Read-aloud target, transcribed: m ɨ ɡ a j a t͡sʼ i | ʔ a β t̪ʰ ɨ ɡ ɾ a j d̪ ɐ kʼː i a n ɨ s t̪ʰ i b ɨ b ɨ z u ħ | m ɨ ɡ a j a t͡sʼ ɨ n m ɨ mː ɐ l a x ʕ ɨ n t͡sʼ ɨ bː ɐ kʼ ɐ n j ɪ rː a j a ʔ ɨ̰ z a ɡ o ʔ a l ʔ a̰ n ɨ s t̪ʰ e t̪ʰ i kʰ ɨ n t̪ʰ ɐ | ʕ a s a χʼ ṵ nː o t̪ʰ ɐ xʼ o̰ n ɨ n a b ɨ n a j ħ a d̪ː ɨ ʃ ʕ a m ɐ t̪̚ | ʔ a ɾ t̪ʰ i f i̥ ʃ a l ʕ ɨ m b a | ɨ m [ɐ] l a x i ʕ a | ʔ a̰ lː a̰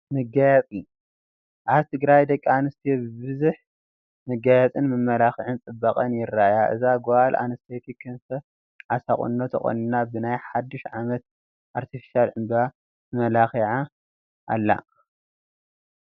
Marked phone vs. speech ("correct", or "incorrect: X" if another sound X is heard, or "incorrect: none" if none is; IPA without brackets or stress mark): correct